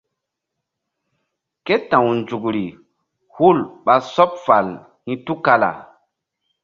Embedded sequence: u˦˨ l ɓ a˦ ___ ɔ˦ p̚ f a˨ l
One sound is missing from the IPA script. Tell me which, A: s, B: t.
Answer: A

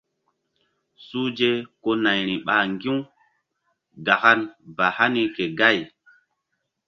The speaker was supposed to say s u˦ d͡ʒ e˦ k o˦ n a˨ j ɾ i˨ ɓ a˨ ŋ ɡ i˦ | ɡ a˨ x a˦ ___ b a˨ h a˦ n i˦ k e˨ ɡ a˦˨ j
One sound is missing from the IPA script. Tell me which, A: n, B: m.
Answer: A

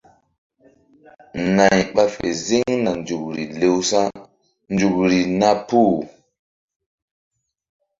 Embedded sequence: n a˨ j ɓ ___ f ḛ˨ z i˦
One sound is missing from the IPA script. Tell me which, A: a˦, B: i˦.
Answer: A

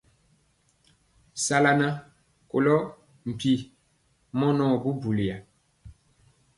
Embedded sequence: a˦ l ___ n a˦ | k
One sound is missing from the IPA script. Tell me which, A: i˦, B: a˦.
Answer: B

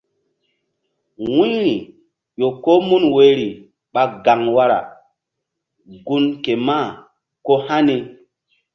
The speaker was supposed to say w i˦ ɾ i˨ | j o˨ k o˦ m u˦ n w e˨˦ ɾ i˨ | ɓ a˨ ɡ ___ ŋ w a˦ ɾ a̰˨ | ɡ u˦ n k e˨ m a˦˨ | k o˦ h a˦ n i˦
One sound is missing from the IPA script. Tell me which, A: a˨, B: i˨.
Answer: A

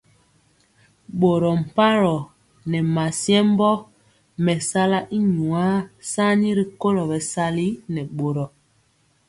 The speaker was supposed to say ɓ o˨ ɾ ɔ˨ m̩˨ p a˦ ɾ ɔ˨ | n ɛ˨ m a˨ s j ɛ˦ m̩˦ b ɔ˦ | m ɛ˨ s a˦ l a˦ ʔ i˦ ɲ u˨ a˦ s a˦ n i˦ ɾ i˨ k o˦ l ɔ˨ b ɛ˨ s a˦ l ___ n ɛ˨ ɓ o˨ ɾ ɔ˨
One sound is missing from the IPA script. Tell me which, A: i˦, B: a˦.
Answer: A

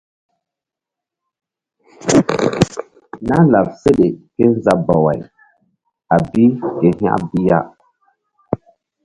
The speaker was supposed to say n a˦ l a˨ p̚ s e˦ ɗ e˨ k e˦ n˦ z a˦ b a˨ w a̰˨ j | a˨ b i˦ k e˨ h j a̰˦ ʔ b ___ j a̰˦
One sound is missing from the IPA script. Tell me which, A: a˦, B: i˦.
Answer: B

